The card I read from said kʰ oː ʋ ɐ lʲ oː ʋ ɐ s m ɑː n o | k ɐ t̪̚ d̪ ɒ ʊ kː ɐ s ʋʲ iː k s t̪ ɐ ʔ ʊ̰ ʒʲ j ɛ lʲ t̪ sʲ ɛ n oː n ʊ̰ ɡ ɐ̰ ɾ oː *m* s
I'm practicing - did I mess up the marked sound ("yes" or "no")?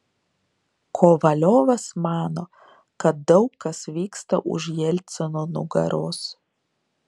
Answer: yes